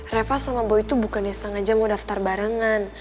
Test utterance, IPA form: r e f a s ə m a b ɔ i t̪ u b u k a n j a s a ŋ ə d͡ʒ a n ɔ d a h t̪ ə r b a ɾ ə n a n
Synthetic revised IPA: r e f a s a m a b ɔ i t̪ u b u k a n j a s a ŋ a d͡ʒ a m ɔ d a f t̪ a r b a ɾ ə ŋ a n